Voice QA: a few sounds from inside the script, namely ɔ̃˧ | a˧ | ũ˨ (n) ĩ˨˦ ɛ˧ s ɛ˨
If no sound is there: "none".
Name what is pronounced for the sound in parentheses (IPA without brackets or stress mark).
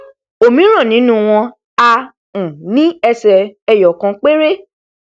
n